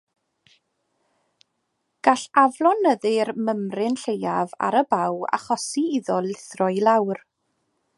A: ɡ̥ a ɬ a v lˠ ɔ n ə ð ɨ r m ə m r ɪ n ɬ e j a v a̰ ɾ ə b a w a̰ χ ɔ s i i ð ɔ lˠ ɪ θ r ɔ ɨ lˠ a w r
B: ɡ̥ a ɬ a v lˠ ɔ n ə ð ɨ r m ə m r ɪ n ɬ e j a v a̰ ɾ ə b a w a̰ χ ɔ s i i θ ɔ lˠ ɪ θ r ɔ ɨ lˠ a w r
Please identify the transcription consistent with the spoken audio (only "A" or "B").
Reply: A